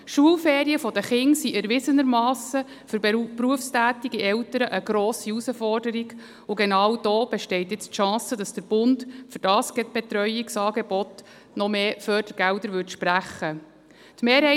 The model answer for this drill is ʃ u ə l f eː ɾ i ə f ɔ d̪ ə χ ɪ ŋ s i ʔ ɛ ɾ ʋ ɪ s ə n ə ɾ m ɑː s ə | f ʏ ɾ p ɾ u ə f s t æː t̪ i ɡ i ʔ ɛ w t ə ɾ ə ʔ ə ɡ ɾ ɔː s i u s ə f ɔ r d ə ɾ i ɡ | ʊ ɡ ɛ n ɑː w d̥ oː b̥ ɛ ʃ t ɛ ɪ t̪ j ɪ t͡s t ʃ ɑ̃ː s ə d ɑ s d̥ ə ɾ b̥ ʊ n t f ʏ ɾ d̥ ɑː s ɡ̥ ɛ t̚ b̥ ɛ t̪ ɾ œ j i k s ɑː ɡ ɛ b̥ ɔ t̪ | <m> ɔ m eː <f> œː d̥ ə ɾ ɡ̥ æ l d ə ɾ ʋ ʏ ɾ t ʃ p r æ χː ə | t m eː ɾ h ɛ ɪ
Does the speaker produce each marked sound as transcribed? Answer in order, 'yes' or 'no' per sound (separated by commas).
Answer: no, yes